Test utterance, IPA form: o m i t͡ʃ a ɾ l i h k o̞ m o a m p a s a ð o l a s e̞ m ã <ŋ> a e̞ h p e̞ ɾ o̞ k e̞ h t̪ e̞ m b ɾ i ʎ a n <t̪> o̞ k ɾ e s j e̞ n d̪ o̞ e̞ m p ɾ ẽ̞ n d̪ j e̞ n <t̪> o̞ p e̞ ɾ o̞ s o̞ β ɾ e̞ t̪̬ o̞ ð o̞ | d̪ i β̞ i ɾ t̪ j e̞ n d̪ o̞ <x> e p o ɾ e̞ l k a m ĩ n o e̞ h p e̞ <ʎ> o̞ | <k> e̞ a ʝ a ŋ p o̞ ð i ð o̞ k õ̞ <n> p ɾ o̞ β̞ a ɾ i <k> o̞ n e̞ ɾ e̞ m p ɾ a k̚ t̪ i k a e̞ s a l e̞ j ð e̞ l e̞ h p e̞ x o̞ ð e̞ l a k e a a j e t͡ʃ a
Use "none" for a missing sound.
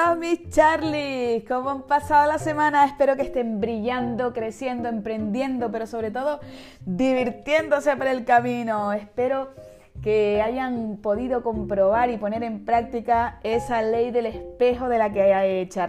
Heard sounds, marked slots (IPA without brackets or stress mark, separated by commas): n, d̪, d̪, s, ɾ, k, m, p